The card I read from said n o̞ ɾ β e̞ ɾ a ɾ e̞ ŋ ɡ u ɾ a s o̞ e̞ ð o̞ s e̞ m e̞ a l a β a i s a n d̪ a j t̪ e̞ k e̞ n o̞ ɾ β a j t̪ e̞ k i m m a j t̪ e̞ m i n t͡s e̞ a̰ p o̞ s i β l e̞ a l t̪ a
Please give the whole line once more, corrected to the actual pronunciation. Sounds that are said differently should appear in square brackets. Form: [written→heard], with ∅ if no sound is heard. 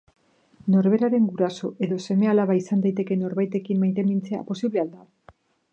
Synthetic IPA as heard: n o̞ ɾ β e̞ ɾ a ɾ e̞ ŋ ɡ u ɾ a s o̞ e̞ ð o̞ s e̞ m e̞ a l a β a i s a n d̪ a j t̪ e̞ k e̞ n o̞ ɾ β a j t̪ e̞ k i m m a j t̪ e̞ m i n t͡s e̞ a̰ p o̞ s i β l e̞ a l [t̪→d̪] a